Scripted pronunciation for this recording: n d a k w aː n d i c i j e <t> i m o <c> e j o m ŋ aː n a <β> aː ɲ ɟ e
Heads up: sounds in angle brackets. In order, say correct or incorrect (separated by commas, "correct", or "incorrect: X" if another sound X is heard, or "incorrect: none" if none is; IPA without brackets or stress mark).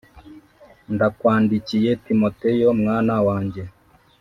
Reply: correct, incorrect: t, incorrect: w